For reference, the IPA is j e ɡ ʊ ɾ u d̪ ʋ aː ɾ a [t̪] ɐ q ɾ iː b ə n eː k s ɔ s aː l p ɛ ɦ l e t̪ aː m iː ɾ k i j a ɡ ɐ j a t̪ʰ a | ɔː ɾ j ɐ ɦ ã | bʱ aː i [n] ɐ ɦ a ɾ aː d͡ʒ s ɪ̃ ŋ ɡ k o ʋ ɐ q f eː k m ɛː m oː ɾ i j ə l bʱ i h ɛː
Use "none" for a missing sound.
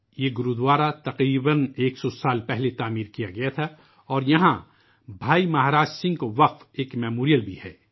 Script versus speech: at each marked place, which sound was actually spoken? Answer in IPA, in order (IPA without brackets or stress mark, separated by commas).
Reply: t̪, m